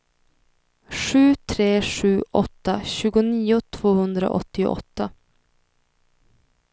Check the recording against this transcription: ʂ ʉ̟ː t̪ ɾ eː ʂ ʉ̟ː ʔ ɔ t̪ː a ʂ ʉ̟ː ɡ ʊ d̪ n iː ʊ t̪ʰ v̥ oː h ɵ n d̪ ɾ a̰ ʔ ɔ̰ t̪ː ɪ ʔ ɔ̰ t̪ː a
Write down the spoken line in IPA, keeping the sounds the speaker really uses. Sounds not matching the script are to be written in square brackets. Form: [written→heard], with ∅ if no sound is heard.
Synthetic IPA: ʂ ʉ̟ː [t̪→t̪ʰ] ɾ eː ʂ ʉ̟ː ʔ ɔ t̪ː a [ʂ→ɕ] ʉ̟ː ɡ ʊ [d̪→∅] n iː ʊ t̪ʰ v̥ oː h ɵ n d̪ ɾ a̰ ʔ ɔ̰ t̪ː ɪ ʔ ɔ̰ t̪ː a